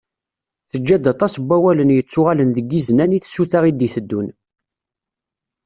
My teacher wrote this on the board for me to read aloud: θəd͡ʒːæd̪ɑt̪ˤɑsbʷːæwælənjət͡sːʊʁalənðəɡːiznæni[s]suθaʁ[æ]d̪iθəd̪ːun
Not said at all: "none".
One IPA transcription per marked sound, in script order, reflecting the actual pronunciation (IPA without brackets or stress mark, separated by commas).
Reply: θ, i